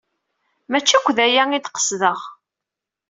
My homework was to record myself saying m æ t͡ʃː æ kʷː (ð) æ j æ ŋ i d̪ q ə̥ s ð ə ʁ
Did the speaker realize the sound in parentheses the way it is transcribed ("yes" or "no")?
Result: yes